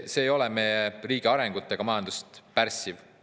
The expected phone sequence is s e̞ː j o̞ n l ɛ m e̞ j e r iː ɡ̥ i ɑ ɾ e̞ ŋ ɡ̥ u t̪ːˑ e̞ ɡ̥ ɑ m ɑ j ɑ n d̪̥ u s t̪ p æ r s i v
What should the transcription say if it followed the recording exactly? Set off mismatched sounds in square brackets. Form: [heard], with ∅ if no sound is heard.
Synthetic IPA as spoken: s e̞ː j o̞ [∅] l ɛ m e̞ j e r iː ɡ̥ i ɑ ɾ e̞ ŋ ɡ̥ u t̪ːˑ e̞ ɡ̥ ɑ m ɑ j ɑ n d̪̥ u s t̪ p æ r s i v